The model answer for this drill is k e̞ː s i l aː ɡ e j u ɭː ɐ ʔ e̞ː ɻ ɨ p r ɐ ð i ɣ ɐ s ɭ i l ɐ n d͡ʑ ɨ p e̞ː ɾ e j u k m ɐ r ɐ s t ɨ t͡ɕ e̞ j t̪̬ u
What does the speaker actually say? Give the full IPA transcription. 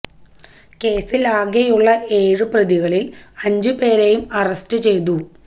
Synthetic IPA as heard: k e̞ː s i l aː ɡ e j u ɭː ɐ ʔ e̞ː ɻ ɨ p r ɐ ð i ɣ ɐ ɭ i l ɐ ɲ d͡ʑ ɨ p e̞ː ɾ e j u m ɐ r ɐ s t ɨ t͡ɕ e̞ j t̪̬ u